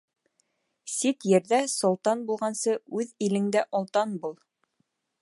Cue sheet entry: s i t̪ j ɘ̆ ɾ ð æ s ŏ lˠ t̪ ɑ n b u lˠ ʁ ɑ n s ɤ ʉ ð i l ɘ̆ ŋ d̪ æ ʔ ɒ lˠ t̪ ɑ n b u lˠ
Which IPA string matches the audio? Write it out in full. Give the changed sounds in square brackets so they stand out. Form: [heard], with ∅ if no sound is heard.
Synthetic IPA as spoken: s i t̪ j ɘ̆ ɾ ð æ s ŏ lˠ t̪ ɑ n b u lˠ ʁ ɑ n s ɤ ʉ ð i l ɘ̆ ŋ d̪ æ ʔ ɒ lˠ t̪ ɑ n b u lˠ